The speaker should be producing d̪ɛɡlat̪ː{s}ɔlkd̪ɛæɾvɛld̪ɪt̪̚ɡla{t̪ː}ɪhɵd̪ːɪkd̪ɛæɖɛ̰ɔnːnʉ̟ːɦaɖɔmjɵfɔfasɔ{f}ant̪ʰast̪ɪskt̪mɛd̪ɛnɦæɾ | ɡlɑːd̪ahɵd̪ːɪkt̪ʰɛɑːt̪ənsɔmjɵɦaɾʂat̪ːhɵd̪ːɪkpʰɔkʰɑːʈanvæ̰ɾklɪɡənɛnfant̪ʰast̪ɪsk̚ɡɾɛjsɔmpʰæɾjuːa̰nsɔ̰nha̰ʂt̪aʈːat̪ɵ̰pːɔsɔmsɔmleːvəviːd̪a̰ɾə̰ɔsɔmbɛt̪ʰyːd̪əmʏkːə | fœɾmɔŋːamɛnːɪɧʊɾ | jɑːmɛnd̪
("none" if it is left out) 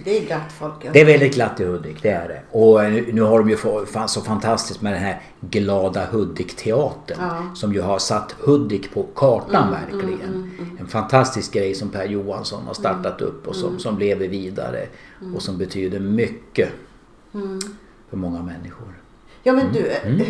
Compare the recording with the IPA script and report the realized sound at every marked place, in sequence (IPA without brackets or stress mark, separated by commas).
f, t̪ː, f